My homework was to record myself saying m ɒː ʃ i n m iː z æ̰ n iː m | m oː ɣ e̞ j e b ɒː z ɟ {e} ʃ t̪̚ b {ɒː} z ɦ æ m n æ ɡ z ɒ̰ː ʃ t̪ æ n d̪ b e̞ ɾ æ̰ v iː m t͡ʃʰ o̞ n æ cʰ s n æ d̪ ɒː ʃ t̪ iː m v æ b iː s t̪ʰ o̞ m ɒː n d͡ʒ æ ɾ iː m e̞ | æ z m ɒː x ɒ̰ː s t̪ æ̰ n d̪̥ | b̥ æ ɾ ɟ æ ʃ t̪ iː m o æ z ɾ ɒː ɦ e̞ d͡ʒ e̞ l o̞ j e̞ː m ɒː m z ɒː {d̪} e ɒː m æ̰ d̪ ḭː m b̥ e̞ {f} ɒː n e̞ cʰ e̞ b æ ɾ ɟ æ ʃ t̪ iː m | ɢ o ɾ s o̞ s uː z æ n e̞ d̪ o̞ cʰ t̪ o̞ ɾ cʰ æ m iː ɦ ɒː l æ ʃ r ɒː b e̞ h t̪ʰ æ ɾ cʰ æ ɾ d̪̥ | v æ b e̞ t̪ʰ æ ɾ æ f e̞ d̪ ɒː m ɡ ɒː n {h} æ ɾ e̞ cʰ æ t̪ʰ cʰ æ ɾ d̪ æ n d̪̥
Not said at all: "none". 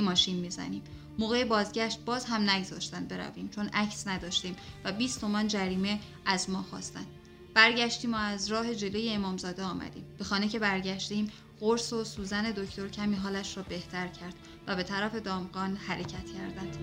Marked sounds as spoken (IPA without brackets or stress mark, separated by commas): æ, ɒː, d̪, x, h